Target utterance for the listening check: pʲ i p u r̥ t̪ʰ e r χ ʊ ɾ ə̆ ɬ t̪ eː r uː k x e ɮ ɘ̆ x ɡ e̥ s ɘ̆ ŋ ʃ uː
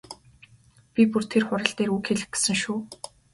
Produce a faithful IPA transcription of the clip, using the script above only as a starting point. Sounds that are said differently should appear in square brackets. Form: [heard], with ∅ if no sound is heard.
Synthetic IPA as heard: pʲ i p u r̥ t̪ʰ e r χ ʊ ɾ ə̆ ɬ t̪ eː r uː k x e ɮ ɘ̆ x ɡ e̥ s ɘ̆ ŋ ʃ uː